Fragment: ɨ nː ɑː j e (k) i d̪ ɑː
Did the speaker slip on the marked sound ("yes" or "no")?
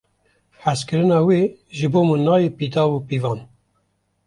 yes